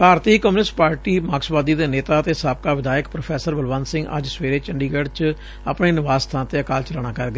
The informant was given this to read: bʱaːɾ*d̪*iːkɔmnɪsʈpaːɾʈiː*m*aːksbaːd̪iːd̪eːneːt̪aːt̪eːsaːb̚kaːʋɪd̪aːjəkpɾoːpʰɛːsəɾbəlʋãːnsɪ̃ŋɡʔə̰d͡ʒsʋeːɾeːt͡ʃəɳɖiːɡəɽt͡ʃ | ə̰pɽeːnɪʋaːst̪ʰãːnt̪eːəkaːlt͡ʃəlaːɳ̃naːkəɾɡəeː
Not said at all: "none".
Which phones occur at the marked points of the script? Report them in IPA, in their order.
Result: t̪, m

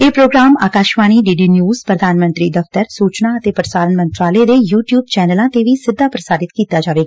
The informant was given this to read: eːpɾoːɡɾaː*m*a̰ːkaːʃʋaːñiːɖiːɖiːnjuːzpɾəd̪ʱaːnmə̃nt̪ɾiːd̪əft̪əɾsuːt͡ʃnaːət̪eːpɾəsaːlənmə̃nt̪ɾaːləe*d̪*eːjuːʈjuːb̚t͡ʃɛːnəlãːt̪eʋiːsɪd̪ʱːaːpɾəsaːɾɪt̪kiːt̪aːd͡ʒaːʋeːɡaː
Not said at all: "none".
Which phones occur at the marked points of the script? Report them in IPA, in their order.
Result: m, d̪

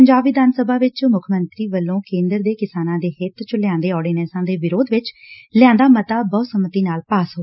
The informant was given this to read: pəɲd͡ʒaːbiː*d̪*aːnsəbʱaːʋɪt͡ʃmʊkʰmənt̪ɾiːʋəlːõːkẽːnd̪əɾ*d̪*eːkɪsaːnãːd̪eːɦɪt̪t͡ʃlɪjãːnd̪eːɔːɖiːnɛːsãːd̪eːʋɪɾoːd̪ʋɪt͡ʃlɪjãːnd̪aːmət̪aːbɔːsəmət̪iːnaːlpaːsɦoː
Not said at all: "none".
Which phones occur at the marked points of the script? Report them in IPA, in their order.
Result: d̪, d̪

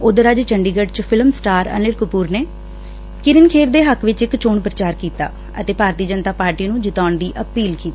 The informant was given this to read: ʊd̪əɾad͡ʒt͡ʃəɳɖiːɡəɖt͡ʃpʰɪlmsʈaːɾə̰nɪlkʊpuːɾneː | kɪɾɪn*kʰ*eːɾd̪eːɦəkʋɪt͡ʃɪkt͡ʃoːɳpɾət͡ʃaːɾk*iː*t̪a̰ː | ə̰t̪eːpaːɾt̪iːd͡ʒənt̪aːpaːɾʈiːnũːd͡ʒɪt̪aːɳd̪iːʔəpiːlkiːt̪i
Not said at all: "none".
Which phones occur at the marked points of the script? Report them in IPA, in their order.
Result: kʰ, iː

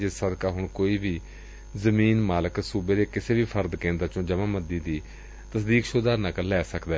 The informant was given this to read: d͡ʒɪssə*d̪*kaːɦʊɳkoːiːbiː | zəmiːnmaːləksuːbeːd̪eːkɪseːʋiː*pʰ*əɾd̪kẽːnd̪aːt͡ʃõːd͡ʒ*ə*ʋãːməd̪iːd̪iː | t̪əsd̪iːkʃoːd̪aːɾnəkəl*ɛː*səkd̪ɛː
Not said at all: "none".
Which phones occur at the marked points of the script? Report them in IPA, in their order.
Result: d̪, pʰ, ə, ɛː

